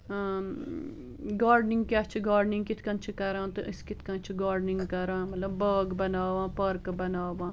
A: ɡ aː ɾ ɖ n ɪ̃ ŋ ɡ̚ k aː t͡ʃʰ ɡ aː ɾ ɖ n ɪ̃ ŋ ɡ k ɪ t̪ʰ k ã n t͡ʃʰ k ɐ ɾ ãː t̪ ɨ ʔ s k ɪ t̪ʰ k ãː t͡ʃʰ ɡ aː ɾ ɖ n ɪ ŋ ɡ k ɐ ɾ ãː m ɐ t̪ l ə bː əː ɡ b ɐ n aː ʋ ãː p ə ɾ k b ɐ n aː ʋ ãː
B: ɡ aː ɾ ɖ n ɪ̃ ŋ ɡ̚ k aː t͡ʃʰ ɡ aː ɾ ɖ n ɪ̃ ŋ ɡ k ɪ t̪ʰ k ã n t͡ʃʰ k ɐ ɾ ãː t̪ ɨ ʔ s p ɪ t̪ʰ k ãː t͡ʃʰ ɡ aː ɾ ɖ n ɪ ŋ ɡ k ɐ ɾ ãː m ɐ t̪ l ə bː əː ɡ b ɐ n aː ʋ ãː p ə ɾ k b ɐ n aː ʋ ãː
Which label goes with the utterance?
A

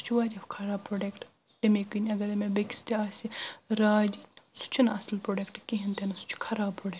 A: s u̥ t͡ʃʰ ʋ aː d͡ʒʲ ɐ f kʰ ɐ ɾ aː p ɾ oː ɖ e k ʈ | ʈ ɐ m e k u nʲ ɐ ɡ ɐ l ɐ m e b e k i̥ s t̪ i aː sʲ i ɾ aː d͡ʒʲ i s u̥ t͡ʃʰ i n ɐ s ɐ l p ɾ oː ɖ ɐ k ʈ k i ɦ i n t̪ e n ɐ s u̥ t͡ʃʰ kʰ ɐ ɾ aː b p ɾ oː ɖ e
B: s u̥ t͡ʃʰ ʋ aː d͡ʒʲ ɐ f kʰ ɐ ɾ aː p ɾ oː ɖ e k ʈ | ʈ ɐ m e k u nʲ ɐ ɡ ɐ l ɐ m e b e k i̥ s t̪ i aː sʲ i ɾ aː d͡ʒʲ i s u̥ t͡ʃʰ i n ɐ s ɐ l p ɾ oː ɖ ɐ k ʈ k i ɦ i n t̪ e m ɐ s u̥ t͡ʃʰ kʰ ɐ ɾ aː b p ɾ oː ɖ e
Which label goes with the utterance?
A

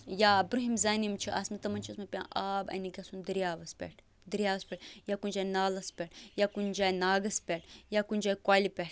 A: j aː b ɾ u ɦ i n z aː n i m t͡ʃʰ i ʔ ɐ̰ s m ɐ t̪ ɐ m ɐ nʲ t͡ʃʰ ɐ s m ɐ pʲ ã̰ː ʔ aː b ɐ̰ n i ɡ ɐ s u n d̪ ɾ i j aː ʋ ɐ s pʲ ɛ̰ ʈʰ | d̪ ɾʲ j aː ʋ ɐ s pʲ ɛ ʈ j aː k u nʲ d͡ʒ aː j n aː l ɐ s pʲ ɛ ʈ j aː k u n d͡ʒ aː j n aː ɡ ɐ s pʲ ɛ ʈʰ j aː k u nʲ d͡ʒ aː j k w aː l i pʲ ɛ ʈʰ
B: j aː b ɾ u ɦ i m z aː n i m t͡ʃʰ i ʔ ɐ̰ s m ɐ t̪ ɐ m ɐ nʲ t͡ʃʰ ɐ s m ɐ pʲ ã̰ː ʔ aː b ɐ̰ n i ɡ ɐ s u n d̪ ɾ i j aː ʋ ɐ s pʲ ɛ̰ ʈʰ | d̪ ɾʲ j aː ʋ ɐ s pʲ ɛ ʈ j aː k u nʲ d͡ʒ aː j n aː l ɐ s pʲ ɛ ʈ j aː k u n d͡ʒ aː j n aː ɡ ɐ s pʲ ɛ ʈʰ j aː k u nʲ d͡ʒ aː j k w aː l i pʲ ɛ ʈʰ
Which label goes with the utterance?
B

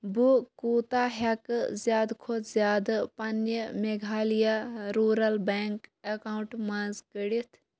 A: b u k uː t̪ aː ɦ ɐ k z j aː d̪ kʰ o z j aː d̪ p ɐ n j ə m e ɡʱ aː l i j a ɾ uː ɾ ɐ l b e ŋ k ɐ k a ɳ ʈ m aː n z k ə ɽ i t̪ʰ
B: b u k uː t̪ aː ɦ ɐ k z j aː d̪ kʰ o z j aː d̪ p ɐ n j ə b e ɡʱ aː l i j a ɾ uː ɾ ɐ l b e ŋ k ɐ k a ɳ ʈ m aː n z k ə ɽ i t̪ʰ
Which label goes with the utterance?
A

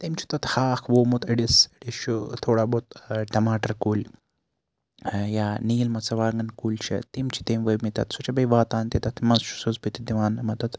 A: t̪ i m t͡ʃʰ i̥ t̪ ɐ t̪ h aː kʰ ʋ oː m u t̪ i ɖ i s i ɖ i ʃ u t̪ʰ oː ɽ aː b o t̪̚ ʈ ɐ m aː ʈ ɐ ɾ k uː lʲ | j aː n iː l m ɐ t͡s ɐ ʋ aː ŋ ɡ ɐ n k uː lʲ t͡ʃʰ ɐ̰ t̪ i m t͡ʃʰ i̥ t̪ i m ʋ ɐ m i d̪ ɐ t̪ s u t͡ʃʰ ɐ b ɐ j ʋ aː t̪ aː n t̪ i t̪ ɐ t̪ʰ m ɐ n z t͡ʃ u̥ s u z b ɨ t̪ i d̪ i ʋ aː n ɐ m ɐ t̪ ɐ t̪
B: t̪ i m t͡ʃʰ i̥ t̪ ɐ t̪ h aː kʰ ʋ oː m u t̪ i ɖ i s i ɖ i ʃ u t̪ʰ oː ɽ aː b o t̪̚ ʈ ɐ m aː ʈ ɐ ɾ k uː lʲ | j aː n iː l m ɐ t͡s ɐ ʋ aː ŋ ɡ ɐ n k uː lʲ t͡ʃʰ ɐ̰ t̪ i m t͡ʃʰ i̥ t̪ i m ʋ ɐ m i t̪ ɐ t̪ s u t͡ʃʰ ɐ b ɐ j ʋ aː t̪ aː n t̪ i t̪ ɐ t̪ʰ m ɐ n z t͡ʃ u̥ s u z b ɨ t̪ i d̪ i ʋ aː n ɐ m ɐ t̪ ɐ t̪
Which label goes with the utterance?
B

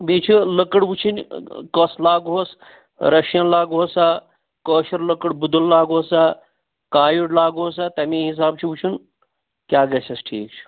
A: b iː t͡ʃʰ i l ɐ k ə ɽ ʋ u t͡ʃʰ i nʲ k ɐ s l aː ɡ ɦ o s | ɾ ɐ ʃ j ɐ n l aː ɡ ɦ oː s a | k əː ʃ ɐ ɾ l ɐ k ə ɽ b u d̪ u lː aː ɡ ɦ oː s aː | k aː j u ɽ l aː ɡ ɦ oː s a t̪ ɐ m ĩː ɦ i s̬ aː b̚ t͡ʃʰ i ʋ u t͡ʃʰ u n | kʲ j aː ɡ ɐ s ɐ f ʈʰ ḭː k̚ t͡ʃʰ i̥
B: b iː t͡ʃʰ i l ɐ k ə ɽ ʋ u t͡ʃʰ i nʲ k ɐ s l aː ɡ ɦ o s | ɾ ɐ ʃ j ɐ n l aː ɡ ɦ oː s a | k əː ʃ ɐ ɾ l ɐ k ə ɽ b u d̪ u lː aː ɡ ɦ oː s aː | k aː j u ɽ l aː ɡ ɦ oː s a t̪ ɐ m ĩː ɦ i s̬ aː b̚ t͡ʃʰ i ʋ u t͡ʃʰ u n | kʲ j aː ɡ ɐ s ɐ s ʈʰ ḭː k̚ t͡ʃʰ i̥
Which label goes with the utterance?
B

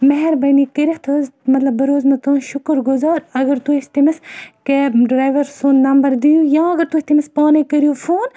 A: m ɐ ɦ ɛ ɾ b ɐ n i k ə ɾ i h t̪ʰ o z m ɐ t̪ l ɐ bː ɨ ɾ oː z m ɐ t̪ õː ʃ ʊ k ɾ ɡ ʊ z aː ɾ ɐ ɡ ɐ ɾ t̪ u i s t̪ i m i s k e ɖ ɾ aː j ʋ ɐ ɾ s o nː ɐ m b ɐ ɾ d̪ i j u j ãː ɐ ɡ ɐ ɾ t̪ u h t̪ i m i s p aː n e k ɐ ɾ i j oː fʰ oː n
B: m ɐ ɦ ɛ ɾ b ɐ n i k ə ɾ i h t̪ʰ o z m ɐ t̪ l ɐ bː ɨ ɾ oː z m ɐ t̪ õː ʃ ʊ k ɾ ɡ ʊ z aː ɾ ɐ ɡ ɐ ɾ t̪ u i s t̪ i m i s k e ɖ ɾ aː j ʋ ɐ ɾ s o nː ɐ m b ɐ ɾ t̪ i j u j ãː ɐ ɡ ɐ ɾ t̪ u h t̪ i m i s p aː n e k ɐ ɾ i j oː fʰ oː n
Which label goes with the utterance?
A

